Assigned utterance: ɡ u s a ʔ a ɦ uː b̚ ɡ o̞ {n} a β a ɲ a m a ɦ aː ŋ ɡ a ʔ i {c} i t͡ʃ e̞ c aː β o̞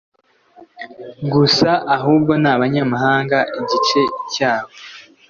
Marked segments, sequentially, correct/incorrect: correct, incorrect: ɟ

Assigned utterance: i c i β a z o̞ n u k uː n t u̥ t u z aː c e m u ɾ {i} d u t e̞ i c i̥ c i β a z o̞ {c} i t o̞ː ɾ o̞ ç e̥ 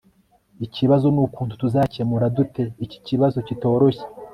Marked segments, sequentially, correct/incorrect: incorrect: a, correct

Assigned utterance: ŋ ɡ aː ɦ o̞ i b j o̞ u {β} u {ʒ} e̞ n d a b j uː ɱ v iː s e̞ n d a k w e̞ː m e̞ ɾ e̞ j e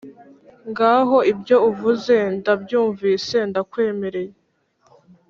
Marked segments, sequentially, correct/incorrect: incorrect: v, incorrect: z

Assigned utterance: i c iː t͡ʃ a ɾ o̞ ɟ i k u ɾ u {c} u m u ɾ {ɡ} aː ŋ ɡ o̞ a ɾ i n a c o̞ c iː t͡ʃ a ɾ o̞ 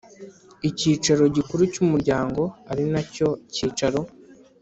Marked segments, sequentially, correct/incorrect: correct, incorrect: ɟ

